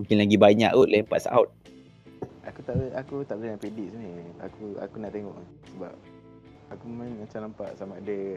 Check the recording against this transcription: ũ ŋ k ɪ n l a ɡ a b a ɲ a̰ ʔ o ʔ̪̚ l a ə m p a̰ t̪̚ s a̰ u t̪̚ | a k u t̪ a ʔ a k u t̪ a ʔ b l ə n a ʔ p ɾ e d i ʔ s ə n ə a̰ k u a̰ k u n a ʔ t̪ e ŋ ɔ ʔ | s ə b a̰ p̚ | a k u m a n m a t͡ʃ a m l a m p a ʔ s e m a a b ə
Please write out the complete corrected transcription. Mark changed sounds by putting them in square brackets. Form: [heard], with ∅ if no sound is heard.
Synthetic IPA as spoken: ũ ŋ k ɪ n l a ɡ [i] b a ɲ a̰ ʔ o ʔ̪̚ l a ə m p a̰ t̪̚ s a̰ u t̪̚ | a k u t̪ a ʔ a k u t̪ a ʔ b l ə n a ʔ p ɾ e d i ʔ s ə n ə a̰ k u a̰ k u n a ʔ t̪ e ŋ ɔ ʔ | s ə b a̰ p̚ | a k u m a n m a t͡ʃ a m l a m p a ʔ s [a] m a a [d] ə